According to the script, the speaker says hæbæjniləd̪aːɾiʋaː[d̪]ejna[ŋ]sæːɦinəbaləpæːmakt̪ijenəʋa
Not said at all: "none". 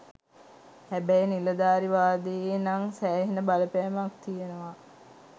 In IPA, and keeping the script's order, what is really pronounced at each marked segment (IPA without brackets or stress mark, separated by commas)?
d̪, ŋ